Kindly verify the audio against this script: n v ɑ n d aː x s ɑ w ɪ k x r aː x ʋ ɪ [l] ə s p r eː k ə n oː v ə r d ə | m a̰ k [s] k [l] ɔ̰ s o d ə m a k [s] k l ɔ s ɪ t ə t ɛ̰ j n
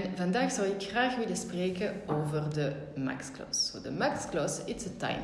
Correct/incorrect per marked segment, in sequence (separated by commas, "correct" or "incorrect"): correct, correct, correct, correct